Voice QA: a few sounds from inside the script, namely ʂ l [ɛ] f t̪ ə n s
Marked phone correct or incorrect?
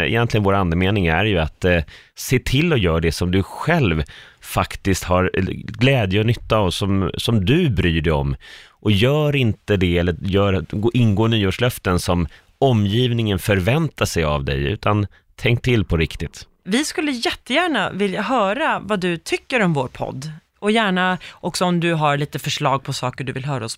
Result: incorrect